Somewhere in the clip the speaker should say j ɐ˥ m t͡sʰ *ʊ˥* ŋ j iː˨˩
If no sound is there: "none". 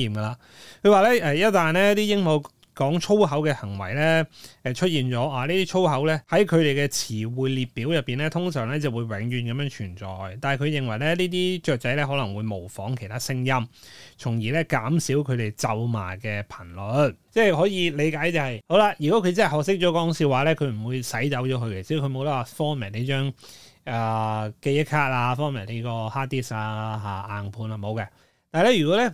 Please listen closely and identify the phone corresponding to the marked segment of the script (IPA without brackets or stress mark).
ʊ˨˩